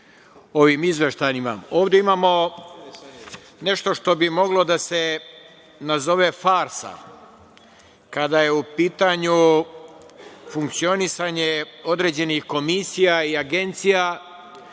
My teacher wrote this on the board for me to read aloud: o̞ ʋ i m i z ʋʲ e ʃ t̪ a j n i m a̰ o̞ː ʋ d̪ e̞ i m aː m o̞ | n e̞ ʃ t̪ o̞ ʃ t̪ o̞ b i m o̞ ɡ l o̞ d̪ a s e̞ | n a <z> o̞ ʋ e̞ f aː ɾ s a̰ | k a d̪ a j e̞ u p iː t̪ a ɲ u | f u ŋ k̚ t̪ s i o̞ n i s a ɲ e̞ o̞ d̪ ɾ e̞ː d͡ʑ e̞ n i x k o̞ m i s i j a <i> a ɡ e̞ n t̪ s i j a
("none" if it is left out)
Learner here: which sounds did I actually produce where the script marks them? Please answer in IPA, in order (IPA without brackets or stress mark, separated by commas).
z, i